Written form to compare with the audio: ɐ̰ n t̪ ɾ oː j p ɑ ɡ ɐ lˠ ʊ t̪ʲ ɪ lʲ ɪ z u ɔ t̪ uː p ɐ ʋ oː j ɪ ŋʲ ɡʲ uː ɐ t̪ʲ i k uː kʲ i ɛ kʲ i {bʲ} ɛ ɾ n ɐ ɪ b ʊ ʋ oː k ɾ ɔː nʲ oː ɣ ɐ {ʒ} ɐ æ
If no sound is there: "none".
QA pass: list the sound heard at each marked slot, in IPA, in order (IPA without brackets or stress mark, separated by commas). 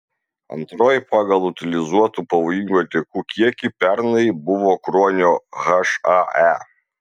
pʲ, ʃ